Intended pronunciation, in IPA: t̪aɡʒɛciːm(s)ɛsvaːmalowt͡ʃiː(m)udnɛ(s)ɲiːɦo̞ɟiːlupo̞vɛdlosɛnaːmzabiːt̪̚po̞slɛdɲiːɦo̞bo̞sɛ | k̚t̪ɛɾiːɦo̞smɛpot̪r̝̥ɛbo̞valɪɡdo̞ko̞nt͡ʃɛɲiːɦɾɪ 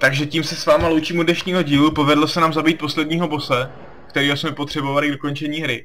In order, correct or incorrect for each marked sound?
correct, correct, incorrect

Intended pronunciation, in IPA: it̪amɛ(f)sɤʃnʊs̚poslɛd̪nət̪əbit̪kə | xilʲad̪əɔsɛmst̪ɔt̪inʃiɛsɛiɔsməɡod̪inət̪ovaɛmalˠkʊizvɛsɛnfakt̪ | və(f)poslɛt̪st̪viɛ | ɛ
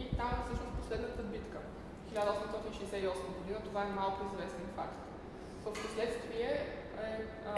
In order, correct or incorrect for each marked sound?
correct, correct

